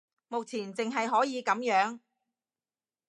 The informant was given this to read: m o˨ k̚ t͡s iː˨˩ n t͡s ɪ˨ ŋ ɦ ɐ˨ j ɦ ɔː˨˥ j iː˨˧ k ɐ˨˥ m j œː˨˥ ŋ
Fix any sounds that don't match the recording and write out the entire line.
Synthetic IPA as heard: m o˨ k̚ t͡sʰ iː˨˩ n t͡s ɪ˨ ŋ ɦ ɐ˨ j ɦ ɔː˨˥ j iː˨˧ k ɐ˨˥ m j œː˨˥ ŋ